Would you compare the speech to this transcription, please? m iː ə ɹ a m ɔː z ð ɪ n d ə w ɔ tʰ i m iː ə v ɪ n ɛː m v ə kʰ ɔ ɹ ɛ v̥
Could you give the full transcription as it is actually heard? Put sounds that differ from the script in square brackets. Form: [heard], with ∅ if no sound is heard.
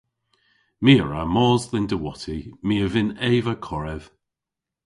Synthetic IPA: m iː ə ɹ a m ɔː z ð ɪ n d ə w ɔ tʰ i m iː ə v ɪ n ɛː [∅] v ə kʰ ɔ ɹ ɛ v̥